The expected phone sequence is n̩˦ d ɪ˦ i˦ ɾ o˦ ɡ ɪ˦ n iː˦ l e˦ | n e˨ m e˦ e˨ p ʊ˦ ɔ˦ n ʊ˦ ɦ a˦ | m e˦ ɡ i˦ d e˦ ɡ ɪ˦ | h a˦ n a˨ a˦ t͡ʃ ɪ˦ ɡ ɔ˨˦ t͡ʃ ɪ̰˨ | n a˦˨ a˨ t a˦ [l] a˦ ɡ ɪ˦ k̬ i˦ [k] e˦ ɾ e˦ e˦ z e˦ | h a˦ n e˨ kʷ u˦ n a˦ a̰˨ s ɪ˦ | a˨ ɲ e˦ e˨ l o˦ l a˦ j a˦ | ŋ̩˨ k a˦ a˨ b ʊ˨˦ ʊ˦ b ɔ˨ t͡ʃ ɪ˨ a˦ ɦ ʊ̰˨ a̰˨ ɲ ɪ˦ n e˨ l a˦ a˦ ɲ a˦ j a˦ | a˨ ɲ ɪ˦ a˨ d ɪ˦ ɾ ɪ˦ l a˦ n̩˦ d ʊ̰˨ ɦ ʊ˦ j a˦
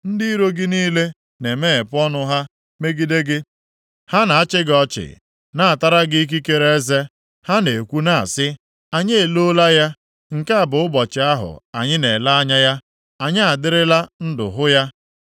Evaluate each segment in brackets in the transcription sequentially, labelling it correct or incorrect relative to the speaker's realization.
incorrect: ɾ, correct

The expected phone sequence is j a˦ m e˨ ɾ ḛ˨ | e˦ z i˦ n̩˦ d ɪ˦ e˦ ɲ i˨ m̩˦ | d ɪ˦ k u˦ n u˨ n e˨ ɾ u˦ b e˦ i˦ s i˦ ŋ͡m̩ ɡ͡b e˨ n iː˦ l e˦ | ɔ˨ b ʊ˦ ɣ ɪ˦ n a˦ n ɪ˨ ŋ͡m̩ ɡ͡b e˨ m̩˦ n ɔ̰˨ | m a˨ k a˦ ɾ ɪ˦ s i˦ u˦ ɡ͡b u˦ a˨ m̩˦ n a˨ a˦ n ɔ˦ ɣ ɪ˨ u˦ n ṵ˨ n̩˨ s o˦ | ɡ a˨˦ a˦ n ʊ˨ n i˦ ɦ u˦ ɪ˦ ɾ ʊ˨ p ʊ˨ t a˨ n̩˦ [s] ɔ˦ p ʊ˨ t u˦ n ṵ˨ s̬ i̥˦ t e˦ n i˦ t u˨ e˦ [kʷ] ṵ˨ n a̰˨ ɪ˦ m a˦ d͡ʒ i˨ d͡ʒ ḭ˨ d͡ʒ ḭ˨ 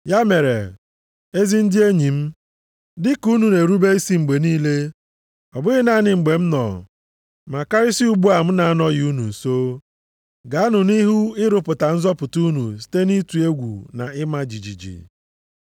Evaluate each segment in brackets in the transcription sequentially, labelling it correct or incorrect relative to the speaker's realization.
incorrect: z, incorrect: ɡʷ

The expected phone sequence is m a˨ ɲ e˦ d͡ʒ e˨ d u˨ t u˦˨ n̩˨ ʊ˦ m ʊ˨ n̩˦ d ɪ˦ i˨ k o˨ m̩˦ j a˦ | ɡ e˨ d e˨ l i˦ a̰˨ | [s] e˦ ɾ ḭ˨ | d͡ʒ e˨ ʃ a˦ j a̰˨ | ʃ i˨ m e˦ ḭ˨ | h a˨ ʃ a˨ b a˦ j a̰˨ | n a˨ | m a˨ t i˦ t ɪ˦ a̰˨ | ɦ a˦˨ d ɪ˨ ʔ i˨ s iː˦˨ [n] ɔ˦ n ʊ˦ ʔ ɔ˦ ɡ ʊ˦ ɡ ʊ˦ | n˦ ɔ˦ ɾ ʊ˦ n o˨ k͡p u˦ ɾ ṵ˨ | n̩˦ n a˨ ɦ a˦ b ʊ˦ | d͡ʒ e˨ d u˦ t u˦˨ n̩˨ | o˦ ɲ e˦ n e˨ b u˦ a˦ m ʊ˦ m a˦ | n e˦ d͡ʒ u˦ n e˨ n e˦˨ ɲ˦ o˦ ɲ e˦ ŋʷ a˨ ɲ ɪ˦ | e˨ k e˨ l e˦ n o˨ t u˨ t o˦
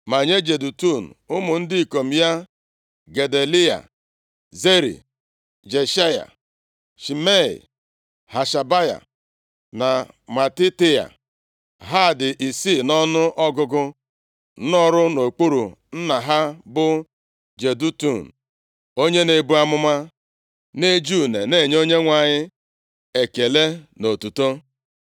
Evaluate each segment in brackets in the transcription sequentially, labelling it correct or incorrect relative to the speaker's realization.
incorrect: z, correct

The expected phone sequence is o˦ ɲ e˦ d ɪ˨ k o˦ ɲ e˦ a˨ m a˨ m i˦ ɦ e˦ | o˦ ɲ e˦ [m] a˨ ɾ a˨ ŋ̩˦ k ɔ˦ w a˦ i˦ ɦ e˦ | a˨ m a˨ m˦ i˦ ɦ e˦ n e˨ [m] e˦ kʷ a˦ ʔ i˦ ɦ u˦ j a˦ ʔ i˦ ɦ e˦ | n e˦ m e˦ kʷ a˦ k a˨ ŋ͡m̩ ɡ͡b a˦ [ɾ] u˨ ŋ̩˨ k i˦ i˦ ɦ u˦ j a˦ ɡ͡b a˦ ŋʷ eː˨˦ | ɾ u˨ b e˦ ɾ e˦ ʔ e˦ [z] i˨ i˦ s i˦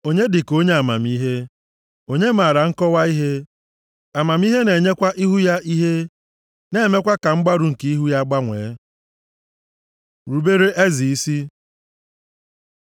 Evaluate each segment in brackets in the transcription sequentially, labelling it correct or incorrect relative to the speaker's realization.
correct, incorrect: ɲ, correct, correct

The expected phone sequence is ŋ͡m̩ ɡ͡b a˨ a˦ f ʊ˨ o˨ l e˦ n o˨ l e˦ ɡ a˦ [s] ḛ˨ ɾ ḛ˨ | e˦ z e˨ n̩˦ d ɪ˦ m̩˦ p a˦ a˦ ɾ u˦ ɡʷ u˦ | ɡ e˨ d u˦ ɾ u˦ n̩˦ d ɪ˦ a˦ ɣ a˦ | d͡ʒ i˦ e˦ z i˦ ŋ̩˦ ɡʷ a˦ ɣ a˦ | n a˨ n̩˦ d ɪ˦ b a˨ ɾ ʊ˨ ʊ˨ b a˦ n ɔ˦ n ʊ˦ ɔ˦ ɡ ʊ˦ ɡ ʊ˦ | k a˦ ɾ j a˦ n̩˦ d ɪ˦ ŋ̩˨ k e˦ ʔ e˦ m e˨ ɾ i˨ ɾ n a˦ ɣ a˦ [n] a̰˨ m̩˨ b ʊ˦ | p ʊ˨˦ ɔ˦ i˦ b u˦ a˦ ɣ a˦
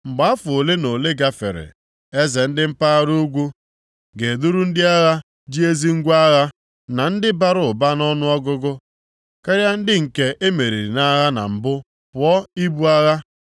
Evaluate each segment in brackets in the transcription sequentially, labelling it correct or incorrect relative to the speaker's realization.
incorrect: f, correct

